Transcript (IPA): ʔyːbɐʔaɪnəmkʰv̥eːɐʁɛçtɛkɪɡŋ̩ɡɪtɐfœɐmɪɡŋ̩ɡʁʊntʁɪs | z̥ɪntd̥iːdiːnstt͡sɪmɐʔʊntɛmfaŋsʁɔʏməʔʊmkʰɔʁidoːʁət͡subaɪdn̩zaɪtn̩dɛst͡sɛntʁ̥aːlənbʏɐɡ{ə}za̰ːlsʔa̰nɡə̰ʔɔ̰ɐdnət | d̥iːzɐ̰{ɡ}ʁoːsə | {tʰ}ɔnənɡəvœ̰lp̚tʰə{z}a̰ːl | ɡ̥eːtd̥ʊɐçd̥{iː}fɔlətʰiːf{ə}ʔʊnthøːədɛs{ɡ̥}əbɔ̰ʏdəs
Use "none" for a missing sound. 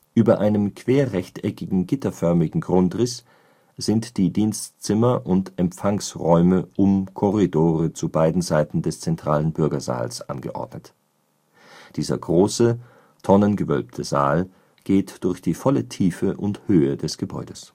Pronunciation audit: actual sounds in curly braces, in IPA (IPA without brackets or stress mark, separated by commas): ɐ, ɡ, tʰ, z, iː, ə, ɡ̥